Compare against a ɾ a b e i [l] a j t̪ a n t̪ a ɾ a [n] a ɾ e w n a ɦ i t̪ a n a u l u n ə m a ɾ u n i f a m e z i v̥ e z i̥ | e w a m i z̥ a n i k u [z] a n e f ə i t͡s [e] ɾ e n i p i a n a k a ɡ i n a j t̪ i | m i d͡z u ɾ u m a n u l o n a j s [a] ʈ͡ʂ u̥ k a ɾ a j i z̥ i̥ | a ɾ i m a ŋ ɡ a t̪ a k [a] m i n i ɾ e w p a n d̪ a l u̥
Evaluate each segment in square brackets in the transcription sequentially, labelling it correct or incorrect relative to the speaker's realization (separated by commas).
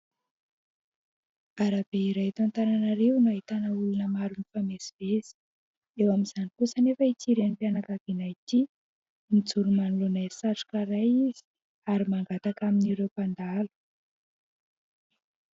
incorrect, correct, incorrect, incorrect, correct, correct